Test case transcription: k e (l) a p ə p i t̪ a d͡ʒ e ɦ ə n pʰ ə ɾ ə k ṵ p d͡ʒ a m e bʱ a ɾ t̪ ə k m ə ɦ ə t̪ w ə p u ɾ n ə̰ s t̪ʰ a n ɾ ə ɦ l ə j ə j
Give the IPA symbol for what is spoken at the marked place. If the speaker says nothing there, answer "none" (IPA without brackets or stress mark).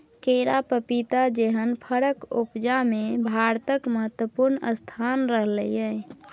ɾ